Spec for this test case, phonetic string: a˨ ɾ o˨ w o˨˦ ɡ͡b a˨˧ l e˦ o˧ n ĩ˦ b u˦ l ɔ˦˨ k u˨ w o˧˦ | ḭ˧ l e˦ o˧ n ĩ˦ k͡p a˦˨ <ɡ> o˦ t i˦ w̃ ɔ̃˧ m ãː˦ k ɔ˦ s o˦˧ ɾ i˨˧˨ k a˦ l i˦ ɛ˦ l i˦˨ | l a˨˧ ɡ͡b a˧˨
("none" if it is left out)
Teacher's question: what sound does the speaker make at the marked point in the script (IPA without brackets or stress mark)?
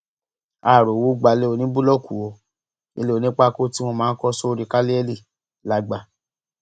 k